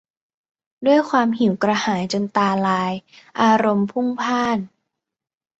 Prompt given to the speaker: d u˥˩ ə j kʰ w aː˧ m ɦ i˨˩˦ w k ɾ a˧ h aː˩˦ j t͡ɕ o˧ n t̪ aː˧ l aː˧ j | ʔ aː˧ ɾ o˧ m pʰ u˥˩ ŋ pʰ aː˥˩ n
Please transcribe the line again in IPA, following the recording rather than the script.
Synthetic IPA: d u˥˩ ə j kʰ w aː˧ m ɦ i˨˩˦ w k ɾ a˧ h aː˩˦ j t͡ɕ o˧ n t̪ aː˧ l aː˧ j | ʔ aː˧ ɾ o˧ m pʰ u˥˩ ŋ pʰ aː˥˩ n